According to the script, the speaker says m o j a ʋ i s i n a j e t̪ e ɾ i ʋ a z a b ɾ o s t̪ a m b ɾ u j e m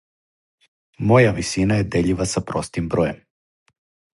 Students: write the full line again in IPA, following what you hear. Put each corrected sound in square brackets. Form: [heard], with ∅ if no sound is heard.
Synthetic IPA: m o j a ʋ i s i n a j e [d̪] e [ʎ] i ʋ a [s] a [p] ɾ o s t̪ [i] m b ɾ [o] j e m